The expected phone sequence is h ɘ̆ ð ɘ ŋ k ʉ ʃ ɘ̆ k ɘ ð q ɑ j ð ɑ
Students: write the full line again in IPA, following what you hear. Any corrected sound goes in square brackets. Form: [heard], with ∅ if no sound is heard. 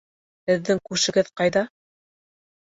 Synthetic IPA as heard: h ɘ̆ [ðː] ɘ ŋ k ʉ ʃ ɘ̆ [ɡ] ɘ ð q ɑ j ð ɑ